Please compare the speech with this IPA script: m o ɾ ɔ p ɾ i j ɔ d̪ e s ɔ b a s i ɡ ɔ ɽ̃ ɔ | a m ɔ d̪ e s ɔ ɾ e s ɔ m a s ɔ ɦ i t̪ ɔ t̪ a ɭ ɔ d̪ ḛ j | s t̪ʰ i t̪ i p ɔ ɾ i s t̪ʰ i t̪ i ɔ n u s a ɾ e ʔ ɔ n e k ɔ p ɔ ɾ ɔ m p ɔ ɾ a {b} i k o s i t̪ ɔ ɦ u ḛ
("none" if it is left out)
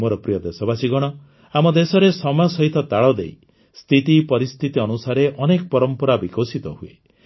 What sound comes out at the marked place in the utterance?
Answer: b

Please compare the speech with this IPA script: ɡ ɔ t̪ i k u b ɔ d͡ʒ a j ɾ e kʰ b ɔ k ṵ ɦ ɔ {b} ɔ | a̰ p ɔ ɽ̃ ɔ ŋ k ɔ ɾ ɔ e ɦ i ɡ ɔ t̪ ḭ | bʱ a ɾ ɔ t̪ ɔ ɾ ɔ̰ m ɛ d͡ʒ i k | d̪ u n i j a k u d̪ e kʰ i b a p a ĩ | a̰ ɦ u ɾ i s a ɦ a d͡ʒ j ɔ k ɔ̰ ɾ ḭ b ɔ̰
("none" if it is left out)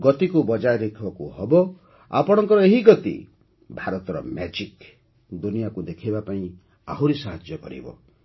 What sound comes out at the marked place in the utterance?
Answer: b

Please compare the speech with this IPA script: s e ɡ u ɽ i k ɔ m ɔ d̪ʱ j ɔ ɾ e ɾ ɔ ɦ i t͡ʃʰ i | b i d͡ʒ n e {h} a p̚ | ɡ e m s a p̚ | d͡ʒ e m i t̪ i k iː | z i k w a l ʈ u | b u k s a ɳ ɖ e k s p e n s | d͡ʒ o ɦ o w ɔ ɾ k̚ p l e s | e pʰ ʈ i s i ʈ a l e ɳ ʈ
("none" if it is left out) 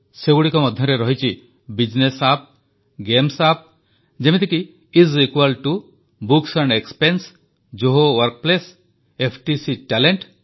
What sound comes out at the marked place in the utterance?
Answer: s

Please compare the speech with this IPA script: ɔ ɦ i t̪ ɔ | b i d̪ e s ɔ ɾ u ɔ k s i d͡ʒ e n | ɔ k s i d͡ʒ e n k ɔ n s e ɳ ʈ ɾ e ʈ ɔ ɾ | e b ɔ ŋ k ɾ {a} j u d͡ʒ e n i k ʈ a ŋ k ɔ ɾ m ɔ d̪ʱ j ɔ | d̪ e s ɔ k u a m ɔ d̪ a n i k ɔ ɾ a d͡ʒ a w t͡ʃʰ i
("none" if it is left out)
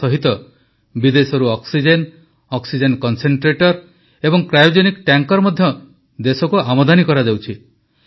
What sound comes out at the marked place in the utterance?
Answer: a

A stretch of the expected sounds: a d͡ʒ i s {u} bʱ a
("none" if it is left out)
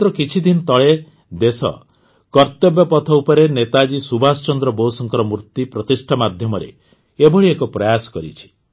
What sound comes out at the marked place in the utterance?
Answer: u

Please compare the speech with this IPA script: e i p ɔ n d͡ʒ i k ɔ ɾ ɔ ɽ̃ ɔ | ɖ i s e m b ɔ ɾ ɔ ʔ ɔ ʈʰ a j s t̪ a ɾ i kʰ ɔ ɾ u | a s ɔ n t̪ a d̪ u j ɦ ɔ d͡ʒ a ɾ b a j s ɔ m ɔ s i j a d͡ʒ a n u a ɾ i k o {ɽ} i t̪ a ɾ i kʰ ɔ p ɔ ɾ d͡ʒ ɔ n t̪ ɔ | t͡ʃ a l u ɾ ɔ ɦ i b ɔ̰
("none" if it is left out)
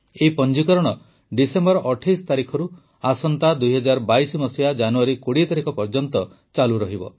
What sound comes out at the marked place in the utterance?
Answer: ɽ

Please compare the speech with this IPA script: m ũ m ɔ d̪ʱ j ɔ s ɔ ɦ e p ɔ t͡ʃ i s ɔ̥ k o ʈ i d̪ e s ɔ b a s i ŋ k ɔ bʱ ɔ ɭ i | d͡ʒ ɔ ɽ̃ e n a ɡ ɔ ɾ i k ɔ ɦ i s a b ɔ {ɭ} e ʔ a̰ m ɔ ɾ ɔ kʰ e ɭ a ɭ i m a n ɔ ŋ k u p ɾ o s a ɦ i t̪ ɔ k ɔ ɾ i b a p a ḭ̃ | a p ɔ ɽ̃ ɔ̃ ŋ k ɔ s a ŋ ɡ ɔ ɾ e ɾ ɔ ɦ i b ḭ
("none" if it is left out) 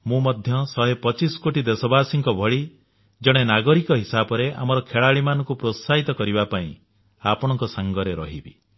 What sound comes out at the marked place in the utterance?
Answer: ɾ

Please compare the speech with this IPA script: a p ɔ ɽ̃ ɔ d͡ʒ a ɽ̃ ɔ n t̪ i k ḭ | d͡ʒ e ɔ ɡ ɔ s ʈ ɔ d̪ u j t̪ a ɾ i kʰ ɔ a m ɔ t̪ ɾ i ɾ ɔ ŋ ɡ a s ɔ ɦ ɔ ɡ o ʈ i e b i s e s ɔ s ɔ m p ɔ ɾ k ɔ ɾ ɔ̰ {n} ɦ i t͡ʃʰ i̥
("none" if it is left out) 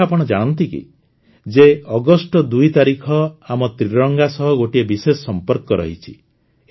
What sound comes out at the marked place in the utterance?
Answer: none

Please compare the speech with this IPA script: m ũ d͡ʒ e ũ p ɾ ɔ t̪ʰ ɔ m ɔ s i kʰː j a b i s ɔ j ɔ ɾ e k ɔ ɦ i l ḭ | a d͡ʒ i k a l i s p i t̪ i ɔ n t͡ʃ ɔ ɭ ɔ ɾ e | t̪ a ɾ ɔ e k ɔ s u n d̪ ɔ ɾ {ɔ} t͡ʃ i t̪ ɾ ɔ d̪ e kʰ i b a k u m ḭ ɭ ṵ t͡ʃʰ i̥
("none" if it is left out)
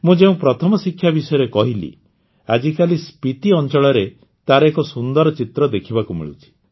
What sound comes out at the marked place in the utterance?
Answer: ɔ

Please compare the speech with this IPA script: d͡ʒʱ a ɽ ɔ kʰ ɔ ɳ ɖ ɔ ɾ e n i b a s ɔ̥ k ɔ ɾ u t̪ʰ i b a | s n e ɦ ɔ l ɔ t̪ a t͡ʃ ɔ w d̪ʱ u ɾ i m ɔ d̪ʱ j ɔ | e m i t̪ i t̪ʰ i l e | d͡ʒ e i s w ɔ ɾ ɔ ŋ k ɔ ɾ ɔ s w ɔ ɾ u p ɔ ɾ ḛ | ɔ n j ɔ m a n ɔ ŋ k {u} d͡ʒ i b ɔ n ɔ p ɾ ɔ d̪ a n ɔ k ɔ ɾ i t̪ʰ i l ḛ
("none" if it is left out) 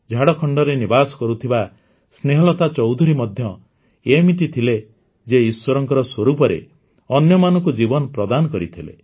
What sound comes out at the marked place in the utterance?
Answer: u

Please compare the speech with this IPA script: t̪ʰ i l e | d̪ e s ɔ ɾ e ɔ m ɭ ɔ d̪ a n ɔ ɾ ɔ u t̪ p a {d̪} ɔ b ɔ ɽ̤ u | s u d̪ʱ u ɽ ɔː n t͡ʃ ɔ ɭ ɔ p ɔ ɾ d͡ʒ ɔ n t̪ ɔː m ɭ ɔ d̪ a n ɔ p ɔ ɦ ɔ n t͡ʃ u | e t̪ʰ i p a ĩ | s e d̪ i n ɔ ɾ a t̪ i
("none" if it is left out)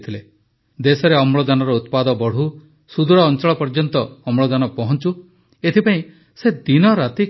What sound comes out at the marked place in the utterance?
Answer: d̪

